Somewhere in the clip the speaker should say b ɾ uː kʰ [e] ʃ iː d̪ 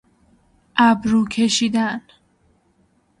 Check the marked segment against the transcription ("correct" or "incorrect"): correct